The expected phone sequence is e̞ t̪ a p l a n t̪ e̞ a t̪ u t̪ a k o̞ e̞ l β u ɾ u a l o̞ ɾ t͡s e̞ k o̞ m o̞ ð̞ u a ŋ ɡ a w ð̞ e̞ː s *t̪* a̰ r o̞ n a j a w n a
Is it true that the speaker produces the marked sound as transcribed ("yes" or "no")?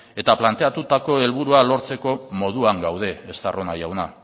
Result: yes